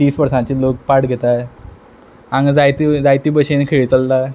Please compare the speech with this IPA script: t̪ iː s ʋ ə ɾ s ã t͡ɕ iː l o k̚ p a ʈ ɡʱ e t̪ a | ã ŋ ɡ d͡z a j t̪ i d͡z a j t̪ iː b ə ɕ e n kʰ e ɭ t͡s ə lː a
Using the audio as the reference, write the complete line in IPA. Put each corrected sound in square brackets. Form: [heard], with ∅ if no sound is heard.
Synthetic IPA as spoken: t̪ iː s ʋ ə ɾ s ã t͡ɕ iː l o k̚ p a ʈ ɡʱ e t̪ a | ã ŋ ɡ d͡z a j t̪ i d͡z a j t̪ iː b ə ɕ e n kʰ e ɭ t͡s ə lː a